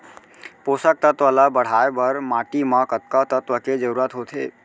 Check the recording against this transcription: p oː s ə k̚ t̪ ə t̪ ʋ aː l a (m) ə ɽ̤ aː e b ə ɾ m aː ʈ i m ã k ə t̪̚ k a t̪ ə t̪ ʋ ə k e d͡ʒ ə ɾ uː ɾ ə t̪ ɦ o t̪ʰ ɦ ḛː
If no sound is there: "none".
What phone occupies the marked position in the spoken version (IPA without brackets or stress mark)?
b